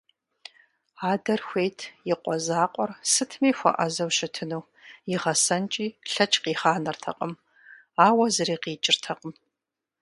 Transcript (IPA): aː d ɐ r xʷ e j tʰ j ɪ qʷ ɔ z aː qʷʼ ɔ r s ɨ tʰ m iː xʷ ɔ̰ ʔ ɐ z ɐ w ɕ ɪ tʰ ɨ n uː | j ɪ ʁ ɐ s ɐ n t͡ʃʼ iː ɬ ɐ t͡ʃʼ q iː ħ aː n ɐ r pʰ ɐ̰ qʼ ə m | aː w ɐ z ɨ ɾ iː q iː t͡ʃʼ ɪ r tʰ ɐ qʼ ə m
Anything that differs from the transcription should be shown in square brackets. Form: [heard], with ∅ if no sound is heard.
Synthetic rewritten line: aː d ɐ r xʷ e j tʰ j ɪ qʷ ɔ z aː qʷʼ ɔ r s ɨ tʰ m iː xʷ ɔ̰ ʔ ɐ z ɐ w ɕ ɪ tʰ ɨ n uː | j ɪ ʁ ɐ s ɐ n t͡ʃʼ iː ɬ ɐ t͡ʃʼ q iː [χ] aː n ɐ r [tʰ] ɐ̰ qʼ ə m | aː w ɐ z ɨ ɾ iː q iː t͡ʃʼ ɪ r tʰ ɐ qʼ ə m

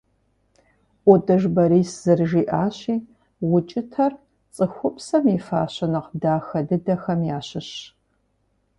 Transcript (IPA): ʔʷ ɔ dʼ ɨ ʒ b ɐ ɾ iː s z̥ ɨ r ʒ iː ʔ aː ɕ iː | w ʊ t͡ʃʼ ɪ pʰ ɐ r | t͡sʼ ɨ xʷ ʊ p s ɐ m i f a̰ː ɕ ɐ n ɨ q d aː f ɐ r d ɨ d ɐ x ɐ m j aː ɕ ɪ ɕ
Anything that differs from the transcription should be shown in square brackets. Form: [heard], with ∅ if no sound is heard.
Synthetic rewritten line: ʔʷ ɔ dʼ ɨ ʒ b ɐ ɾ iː s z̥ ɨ r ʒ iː ʔ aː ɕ iː | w ʊ t͡ʃʼ ɪ [tʰ] ɐ r | t͡sʼ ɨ xʷ ʊ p s ɐ m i f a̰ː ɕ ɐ n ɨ q d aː [x] ɐ [∅] d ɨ d ɐ x ɐ m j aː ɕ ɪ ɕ

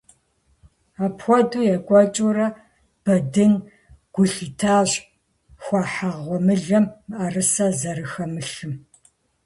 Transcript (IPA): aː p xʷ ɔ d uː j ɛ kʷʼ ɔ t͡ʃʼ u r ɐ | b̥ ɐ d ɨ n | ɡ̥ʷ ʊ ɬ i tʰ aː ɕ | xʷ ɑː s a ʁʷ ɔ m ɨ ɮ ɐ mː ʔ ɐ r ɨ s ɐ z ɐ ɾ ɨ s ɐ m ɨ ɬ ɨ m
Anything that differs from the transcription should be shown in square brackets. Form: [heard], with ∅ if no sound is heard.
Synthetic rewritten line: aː p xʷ ɔ d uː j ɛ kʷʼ ɔ t͡ʃʼ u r ɐ | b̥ ɐ d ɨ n | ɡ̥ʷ ʊ ɬ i tʰ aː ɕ | xʷ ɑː [ħ] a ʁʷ ɔ m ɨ ɮ ɐ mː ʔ ɐ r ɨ s ɐ z ɐ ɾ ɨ [x] ɐ m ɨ ɬ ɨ m

